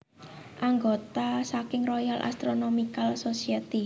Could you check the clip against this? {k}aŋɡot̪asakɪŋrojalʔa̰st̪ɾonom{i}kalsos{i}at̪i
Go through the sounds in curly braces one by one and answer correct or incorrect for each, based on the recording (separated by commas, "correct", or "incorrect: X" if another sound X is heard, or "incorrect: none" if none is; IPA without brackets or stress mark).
incorrect: ʔ, correct, correct